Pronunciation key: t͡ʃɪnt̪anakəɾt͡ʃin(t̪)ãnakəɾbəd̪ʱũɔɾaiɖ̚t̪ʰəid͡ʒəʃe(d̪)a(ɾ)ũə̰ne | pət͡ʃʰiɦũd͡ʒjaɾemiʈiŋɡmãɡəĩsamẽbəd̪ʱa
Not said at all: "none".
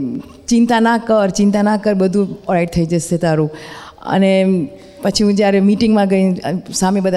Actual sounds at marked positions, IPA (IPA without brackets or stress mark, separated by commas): t̪, t̪, ɾ